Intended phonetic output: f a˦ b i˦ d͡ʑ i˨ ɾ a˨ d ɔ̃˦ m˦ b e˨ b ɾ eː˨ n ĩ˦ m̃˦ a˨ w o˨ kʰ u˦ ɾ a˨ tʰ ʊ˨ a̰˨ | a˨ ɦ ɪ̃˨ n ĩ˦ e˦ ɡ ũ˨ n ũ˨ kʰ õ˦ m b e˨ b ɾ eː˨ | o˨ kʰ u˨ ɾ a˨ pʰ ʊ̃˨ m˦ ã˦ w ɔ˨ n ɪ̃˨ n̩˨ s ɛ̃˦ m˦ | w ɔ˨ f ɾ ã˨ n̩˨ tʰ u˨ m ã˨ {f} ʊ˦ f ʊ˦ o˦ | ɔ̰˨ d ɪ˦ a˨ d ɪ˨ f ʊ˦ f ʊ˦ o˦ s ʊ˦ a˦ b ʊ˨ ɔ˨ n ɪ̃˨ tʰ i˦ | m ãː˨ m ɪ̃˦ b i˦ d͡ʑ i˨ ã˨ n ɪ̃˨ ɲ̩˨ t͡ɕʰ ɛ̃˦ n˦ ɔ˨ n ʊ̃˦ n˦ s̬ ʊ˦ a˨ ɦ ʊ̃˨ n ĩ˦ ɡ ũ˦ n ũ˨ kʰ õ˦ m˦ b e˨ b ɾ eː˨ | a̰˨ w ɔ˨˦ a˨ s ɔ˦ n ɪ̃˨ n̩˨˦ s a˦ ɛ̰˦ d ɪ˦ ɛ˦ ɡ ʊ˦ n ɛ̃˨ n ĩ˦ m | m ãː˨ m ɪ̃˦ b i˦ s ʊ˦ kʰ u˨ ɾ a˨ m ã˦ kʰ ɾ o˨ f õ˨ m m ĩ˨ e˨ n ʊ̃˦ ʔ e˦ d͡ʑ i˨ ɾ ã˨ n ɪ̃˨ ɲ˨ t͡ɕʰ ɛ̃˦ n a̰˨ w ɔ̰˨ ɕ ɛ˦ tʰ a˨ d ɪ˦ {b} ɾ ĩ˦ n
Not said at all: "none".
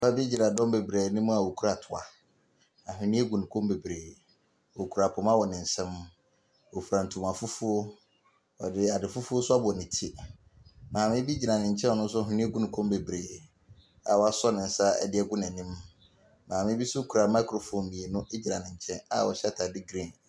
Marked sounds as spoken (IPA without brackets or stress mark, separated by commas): f, ɡ